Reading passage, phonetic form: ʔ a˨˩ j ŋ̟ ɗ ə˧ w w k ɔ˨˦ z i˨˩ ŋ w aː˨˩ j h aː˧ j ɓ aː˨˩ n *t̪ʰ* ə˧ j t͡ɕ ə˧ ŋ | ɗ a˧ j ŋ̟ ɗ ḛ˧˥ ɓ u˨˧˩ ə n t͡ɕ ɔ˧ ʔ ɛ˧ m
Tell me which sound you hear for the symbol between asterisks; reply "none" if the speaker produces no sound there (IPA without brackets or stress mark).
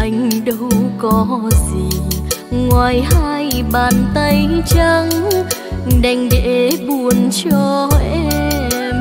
t̪